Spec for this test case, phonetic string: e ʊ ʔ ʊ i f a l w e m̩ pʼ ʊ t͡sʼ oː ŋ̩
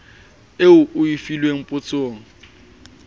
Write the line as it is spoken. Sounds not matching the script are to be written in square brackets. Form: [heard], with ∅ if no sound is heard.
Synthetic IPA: e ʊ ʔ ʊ i f [i] l w e [ŋ̩] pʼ ʊ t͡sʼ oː ŋ̩